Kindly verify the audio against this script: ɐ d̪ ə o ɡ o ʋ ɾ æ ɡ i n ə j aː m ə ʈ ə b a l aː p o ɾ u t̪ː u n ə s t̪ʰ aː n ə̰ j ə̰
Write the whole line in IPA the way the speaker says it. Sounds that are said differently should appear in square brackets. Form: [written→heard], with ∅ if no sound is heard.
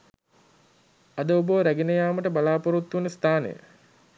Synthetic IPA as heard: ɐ d̪ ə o [ɡ→b] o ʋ ɾ æ ɡ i n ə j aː m ə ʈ ə b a l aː p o ɾ u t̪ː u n ə s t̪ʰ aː n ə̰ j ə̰